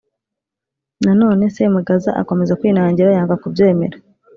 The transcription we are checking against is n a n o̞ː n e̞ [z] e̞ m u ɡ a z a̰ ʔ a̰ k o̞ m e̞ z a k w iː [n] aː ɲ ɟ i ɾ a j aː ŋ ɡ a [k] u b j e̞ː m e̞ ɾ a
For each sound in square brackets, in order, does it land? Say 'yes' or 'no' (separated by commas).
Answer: no, yes, yes